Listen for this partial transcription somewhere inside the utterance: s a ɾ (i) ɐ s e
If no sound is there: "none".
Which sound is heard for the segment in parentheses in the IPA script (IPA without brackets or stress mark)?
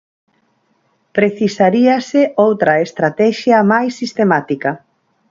i